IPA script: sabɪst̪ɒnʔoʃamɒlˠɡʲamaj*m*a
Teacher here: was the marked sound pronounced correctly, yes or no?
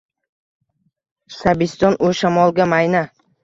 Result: no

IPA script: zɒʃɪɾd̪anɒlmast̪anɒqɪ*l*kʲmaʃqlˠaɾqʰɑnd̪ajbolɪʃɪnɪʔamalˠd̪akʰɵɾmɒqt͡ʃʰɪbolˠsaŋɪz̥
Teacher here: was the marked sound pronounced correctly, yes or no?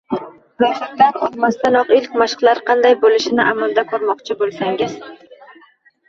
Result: yes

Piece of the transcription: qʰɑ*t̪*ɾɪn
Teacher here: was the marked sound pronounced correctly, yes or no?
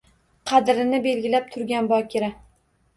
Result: no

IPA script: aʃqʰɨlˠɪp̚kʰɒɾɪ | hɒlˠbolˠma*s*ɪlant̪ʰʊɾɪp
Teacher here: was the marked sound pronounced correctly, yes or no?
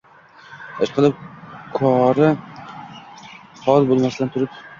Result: yes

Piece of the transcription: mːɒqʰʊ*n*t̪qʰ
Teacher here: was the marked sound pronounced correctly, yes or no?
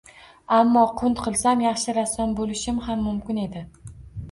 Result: yes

